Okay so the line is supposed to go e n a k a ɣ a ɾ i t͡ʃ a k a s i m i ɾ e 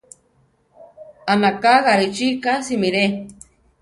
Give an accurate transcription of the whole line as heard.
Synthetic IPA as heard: a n a k a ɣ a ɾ i t͡ʃ i k a s i m i ɾ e